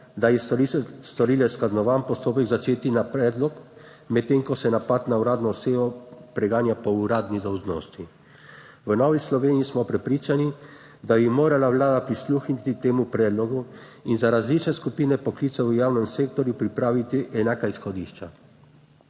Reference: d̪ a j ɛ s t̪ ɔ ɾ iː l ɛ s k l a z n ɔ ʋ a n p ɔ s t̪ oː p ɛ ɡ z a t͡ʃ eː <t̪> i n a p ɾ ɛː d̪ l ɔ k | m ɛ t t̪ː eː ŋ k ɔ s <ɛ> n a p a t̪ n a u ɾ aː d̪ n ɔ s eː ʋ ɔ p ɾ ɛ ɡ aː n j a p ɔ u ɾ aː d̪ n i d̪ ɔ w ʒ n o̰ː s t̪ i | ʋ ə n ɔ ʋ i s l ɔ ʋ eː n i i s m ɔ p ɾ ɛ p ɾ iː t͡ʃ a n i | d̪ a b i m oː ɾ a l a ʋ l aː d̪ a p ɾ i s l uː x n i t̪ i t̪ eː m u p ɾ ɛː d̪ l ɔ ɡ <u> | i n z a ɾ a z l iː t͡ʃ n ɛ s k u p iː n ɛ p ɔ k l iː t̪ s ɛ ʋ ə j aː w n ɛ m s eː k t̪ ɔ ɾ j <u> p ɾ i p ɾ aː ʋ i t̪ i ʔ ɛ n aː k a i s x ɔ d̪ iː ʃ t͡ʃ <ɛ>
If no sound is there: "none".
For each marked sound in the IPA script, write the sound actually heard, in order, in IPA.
t̪, ɛ, u, u, a

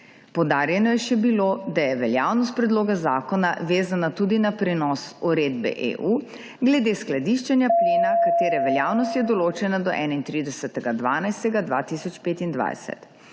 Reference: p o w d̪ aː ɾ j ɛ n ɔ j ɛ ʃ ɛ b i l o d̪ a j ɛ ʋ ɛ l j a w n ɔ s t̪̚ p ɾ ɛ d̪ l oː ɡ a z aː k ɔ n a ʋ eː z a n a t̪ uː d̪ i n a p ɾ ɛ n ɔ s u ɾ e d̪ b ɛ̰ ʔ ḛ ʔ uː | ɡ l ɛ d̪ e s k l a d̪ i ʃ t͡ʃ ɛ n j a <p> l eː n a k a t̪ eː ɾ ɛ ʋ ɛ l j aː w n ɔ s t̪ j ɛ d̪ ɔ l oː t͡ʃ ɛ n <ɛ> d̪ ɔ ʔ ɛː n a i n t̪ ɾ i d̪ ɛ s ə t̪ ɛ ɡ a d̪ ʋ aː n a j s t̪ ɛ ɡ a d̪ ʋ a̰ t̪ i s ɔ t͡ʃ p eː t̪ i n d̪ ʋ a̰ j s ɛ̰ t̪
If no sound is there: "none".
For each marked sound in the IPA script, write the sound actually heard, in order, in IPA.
p, a

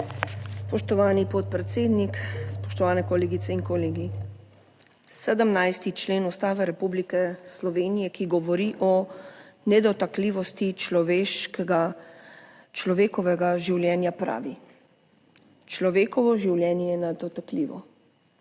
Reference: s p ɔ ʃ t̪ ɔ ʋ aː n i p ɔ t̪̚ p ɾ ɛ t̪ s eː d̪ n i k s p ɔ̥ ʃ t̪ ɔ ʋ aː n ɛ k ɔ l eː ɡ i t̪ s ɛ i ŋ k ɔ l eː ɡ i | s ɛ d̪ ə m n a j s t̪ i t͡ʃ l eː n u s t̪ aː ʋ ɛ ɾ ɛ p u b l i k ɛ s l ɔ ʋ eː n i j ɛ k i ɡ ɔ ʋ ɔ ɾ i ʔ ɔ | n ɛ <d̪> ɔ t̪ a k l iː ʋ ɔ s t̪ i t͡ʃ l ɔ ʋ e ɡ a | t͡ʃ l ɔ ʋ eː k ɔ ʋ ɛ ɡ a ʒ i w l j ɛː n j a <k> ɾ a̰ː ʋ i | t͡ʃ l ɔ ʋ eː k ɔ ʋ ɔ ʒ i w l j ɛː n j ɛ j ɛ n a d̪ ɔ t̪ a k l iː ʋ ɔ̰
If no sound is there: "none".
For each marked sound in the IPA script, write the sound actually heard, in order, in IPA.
d̪, p

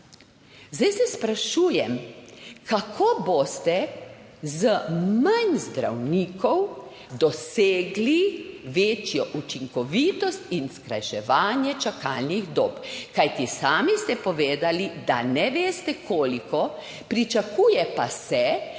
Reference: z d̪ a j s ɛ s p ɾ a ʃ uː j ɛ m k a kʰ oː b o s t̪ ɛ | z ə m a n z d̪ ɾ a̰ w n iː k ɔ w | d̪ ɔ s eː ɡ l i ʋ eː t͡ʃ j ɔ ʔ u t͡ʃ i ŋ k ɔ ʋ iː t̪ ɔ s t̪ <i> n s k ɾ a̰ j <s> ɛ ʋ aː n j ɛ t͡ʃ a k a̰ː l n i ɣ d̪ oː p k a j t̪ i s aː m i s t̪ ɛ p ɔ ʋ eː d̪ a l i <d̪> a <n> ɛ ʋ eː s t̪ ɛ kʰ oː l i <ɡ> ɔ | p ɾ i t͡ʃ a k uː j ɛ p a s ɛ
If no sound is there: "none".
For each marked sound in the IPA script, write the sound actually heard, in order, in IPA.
i, ʃ, d̪, n, k

